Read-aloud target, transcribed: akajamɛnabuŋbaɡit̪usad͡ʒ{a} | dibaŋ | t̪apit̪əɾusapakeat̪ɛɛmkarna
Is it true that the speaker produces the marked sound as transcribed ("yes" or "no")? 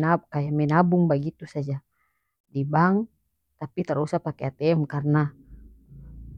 yes